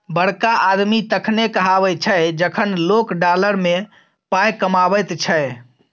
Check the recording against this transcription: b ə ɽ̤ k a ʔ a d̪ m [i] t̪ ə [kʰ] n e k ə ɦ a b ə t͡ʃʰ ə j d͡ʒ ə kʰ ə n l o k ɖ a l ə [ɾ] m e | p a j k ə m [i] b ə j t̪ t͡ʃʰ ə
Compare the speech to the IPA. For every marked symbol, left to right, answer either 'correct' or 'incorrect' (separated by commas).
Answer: correct, correct, correct, incorrect